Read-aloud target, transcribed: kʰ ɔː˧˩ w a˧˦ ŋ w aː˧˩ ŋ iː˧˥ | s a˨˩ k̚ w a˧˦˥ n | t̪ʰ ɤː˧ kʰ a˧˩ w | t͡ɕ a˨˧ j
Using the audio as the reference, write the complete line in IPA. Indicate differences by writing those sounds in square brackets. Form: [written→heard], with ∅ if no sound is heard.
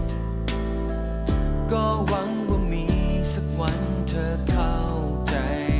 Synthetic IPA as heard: [kʰ→k] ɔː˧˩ w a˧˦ ŋ w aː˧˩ [ŋ→m] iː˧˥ | s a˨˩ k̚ w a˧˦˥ n | t̪ʰ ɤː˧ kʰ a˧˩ w | t͡ɕ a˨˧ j